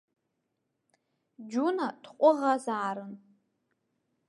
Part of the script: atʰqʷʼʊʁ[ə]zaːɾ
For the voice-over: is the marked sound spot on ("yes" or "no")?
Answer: no